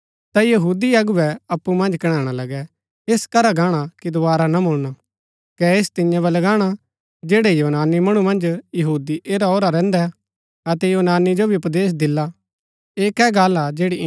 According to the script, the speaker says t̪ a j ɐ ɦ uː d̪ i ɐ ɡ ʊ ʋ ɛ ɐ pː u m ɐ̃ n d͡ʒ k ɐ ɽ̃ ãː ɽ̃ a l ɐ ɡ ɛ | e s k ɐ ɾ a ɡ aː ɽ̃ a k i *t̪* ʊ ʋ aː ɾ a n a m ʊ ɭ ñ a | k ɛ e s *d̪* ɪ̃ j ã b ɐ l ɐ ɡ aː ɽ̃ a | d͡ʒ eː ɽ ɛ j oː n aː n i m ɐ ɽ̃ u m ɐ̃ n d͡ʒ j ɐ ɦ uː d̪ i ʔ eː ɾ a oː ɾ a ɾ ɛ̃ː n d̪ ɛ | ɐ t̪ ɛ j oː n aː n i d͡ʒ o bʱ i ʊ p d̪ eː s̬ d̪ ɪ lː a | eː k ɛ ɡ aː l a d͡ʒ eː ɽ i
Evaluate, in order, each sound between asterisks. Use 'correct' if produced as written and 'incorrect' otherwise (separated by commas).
incorrect, incorrect